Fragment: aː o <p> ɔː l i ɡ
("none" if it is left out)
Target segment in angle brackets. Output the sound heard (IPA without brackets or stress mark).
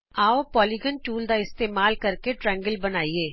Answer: p